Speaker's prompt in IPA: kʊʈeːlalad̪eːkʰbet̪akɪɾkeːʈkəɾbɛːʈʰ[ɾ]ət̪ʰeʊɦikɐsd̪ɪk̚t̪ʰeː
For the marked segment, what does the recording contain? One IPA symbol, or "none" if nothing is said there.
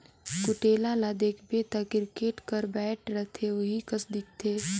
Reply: ɾ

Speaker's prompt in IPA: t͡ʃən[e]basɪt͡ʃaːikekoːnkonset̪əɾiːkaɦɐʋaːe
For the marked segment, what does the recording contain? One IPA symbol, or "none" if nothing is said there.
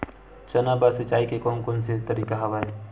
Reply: a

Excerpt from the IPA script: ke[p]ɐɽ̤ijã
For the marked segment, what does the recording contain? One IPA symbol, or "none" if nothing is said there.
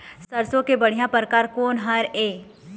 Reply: b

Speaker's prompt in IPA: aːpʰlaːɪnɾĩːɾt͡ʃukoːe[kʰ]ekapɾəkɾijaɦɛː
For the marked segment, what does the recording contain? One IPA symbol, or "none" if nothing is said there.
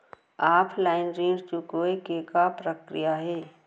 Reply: k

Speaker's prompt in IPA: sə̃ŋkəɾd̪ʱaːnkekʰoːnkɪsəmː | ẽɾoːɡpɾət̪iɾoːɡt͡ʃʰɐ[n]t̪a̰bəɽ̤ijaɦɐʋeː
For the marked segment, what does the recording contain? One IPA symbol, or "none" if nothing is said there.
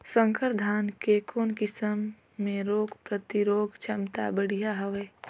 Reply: m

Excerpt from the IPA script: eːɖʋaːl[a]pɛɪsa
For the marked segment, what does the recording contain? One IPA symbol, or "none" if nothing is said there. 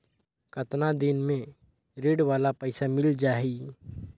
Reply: a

